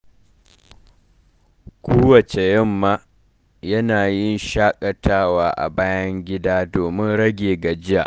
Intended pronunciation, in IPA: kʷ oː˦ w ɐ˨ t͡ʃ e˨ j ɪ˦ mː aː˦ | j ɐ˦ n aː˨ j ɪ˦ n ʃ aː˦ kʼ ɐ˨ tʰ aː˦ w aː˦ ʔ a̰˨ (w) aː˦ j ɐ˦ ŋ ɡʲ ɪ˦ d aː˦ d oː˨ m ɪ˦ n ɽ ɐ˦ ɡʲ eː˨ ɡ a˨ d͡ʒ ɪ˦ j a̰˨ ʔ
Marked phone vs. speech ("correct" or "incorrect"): incorrect